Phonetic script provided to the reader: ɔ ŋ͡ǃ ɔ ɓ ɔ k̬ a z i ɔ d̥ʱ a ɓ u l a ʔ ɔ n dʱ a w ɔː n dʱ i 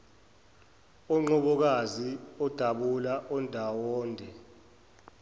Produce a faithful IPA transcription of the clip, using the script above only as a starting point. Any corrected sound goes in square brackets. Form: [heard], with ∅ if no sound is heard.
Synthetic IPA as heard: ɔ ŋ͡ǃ ɔ ɓ ɔ k̬ a z i ɔ d̥ʱ a ɓ u l a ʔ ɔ n dʱ a w ɔː n dʱ [ɛ]